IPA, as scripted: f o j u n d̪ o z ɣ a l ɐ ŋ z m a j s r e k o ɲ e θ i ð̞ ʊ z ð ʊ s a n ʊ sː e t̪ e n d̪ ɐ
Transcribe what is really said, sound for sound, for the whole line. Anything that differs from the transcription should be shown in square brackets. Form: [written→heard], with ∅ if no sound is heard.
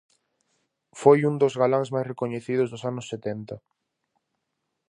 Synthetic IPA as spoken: f o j u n d̪ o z ɣ a l [ɐ→a] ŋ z m a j s r e k o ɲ e θ i ð̞ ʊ z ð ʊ s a n ʊ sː e t̪ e n [d̪→t̪] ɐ